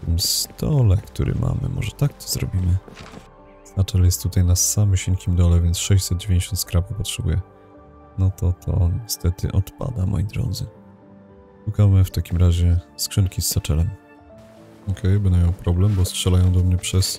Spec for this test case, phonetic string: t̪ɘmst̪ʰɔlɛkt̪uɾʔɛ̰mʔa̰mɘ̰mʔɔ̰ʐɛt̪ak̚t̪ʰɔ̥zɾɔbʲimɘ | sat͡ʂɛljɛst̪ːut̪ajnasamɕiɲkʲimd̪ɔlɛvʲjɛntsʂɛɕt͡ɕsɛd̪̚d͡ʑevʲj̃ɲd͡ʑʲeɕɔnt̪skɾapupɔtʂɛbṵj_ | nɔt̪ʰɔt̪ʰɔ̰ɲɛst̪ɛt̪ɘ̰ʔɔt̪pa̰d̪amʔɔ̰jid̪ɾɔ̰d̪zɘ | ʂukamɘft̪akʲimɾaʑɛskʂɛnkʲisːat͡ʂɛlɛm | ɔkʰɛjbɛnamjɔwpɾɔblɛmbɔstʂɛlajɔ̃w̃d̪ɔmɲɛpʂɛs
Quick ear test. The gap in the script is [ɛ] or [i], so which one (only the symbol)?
ɛ